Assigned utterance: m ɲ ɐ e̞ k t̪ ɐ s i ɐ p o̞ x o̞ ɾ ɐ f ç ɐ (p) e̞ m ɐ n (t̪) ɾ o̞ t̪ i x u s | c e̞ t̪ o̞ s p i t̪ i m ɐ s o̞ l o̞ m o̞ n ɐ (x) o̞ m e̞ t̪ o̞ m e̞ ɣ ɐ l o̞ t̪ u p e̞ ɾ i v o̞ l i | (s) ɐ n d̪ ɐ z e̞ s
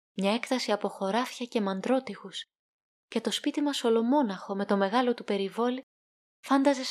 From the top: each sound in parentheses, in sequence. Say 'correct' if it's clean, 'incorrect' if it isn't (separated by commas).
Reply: incorrect, incorrect, correct, incorrect